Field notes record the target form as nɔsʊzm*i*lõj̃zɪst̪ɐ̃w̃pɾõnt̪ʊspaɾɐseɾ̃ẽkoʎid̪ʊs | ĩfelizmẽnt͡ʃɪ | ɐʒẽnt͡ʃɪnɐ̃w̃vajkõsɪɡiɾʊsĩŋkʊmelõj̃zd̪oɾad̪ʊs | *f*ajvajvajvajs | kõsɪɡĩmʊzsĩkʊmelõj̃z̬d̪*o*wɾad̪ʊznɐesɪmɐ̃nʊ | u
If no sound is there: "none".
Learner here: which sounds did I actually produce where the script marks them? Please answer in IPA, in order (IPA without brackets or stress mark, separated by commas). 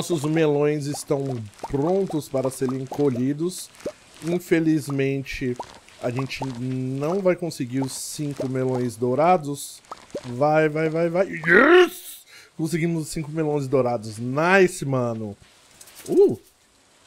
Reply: e, v, o